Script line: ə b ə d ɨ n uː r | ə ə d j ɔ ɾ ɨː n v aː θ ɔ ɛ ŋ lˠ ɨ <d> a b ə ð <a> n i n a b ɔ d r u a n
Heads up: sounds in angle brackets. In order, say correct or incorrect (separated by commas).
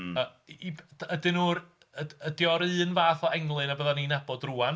incorrect, correct